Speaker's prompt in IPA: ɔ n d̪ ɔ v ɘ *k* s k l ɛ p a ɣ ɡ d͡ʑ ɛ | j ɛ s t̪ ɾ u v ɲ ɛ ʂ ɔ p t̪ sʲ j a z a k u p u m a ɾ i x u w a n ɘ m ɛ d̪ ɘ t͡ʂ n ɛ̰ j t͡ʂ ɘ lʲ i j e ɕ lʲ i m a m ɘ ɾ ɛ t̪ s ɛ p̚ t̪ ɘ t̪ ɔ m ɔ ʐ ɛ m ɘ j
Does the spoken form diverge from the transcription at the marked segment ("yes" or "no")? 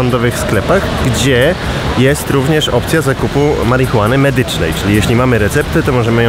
yes